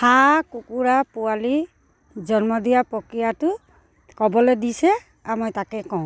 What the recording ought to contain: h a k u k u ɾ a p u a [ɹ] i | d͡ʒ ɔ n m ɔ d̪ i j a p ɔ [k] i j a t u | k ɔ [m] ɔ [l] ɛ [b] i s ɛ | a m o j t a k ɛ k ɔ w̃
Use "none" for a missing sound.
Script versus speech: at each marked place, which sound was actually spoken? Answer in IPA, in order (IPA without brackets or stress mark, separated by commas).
l, k, b, l, d